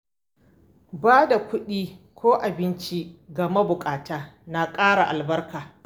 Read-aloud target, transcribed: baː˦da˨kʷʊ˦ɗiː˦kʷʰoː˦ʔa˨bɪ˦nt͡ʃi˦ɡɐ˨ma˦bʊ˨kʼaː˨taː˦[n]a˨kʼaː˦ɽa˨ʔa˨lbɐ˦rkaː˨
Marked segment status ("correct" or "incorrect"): correct